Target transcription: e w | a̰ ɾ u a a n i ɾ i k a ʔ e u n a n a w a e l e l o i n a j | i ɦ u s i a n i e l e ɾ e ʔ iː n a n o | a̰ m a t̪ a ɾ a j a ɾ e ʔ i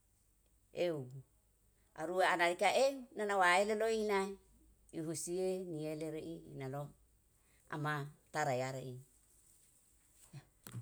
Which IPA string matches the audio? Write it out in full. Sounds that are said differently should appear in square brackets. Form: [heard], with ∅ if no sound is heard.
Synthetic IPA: e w | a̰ ɾ u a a n [a] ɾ i k a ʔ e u n a n a w a e l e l o i n a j | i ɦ u s i [e] n i e l e ɾ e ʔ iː n a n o | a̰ m a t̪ a ɾ a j a ɾ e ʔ i